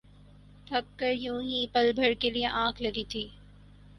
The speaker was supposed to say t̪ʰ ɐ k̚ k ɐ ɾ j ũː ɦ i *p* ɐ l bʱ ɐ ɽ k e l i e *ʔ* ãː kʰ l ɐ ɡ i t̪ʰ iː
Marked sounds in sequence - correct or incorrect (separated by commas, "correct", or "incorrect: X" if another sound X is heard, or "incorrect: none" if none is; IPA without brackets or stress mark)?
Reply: correct, correct